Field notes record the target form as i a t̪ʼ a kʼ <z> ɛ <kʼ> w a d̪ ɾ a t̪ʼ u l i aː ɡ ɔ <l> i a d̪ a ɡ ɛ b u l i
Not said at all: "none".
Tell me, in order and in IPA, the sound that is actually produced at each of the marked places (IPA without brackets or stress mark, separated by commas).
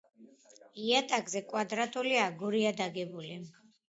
z, kʼ, ɾ